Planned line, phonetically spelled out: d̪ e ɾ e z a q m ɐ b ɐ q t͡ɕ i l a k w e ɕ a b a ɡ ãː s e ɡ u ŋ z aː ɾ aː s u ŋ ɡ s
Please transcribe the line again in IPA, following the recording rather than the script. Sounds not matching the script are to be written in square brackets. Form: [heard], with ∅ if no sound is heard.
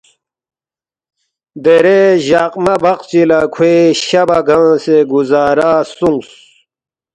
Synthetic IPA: d̪ e ɾ e [ʑ] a q m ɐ b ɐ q t͡ɕ i l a [kʰ] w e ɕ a b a ɡ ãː s e ɡ u [∅] z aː ɾ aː s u ŋ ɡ s

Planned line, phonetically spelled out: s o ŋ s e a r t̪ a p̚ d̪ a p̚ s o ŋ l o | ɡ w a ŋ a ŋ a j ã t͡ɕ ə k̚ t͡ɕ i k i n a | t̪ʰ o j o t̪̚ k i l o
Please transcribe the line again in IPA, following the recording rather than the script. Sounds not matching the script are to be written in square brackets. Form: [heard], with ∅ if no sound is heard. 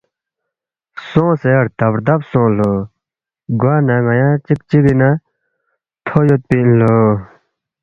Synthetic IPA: s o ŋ s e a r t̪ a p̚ d̪ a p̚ s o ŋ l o | ɡ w a [n] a ŋ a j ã t͡ɕ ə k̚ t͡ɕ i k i n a | t̪ʰ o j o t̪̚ [p] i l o

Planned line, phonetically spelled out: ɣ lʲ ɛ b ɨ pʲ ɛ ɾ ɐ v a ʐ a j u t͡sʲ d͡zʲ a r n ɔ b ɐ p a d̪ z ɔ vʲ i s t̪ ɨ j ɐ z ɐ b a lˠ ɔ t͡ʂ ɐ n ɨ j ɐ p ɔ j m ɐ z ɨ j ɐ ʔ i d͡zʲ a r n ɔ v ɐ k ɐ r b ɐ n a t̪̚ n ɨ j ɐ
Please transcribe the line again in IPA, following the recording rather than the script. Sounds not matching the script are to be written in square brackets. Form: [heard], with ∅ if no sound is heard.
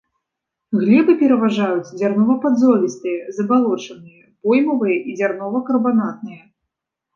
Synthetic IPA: ɣ lʲ ɛ b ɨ pʲ ɛ ɾ ɐ v a ʐ a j u t͡sʲ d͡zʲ a r n ɔ [v] ɐ p a d̪ z ɔ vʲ i s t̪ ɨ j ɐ z ɐ b a lˠ ɔ t͡ʂ ɐ n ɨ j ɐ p ɔ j m ɐ [v] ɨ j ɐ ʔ i d͡zʲ a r n ɔ v ɐ k ɐ r b [a] n a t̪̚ n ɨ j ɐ

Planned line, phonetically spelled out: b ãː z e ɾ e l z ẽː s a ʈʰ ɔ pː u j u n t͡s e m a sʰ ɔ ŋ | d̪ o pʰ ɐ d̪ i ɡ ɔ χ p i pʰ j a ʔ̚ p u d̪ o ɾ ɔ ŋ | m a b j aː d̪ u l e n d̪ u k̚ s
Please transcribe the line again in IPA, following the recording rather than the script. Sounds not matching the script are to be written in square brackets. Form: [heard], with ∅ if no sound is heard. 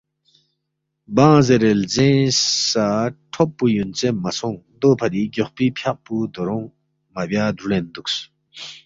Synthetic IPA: b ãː z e ɾ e l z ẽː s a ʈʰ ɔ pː u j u n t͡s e m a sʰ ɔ ŋ | d̪ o pʰ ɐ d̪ i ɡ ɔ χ p i pʰ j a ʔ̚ p u d̪ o ɾ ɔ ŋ | m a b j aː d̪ u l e n d̪ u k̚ s

